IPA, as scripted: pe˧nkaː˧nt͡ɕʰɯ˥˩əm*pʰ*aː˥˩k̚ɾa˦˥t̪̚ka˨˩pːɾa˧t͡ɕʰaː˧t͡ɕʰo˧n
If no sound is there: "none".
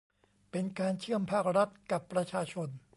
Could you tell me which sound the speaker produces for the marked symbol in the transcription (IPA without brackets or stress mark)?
pʰ